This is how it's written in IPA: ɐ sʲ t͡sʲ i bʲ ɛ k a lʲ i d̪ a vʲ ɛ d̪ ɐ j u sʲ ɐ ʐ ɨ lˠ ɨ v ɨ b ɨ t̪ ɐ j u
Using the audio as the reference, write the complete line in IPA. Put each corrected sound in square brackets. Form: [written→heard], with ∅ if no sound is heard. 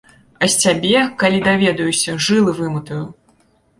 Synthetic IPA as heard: ɐ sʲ t͡sʲ [i→a] bʲ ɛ k a lʲ i d̪ a vʲ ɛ d̪ ɐ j u sʲ ɐ ʐ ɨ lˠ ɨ v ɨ [b→m] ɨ t̪ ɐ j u